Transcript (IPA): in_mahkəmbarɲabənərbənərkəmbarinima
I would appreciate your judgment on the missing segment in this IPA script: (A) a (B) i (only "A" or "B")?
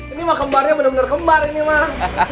B